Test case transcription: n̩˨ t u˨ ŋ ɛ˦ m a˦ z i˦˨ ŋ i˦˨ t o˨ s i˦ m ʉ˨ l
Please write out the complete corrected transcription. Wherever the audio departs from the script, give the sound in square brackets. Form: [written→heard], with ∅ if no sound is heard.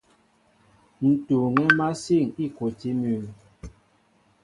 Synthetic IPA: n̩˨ t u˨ ŋ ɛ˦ m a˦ [z→s] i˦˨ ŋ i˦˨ [t→k] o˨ [s→t] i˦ m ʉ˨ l